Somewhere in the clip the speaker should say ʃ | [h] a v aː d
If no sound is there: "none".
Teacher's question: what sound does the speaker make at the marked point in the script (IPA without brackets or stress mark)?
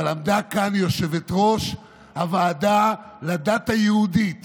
h